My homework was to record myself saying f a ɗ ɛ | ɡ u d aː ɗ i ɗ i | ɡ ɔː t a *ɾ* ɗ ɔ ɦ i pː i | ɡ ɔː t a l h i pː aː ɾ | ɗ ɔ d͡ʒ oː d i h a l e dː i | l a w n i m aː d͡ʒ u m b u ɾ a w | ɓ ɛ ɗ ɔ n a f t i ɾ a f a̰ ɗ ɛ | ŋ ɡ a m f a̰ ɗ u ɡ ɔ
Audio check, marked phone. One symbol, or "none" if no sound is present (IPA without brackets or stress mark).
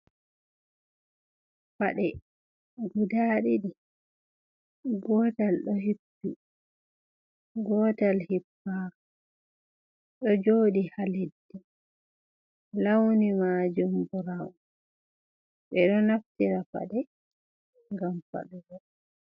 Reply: l